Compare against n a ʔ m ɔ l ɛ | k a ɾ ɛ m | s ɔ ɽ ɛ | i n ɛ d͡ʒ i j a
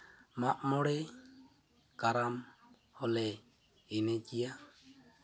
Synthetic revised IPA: m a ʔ m ɔ ɽ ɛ | k a ɾ a m | h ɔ l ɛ | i n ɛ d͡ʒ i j a